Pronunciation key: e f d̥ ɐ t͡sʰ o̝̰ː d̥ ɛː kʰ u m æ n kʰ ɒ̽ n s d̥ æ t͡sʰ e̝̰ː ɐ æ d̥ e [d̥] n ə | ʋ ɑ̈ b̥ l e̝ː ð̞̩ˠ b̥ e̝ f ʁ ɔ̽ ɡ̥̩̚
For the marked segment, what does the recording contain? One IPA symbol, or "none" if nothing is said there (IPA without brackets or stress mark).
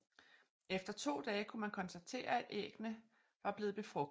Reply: ɡ̥